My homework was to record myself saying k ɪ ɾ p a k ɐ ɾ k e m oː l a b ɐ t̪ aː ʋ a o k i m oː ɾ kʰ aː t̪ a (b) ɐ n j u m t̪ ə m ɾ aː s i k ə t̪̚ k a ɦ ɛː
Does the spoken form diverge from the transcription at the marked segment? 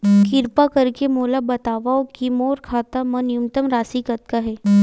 yes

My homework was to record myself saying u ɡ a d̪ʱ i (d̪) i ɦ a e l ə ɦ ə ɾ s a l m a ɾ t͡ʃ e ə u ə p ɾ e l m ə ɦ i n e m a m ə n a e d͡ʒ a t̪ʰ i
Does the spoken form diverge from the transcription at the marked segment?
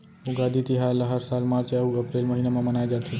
yes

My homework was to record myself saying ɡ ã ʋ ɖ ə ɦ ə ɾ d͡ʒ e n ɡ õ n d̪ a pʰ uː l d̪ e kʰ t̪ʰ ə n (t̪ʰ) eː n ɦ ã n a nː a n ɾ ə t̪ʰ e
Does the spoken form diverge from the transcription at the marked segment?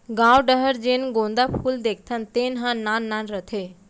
yes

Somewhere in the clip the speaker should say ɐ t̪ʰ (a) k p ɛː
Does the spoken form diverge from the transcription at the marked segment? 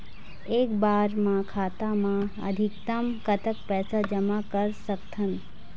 yes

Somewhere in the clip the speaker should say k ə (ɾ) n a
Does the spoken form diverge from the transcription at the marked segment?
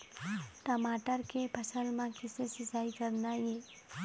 no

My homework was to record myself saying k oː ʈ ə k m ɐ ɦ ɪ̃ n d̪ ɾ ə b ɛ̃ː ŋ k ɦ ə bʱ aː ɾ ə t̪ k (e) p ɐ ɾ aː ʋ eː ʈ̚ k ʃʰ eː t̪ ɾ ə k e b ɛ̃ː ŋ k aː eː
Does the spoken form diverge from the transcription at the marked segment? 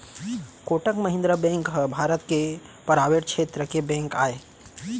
no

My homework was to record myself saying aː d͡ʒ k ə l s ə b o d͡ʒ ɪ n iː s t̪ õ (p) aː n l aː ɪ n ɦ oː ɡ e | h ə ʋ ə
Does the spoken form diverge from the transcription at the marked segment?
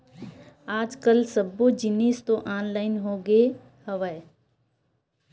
yes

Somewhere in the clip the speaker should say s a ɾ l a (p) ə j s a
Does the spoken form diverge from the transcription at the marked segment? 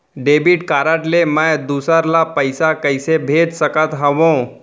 no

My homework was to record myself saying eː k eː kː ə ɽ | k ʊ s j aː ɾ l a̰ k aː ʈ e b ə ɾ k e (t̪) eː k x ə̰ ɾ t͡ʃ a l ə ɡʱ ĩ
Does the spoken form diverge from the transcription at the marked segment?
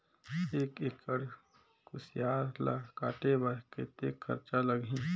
no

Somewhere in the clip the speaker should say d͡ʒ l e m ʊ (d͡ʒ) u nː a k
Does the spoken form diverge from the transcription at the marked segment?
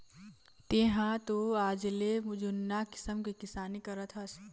no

